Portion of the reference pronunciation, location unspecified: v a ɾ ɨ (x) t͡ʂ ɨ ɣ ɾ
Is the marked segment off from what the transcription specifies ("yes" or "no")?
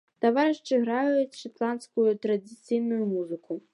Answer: yes